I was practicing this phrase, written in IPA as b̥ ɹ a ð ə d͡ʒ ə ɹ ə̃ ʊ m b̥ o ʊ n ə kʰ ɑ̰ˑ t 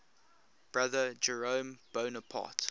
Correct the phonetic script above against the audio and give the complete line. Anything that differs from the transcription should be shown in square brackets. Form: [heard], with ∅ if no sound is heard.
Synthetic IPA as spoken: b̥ ɹ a ð ə d͡ʒ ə ɹ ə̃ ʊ m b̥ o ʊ n ə [pʰ] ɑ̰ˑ t

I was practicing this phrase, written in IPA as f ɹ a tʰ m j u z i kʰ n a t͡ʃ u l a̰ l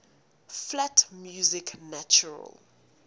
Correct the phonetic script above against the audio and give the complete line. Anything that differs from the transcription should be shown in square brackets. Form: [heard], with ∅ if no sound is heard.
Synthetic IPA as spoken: f [l] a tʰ m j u z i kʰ n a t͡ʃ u [ɹ] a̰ l

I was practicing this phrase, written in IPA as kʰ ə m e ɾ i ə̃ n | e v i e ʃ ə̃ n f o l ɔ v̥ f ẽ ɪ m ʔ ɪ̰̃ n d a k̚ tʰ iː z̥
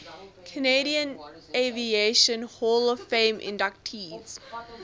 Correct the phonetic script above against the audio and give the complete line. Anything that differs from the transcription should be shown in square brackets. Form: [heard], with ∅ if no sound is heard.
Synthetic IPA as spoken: kʰ ə [n] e ɾ i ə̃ n | e v i e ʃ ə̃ n [h] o l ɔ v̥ f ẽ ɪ m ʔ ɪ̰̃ n d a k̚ tʰ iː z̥

